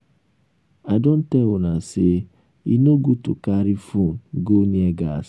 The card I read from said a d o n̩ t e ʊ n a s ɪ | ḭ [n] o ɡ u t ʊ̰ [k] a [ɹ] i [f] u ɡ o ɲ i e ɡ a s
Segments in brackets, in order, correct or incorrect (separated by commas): correct, correct, incorrect, correct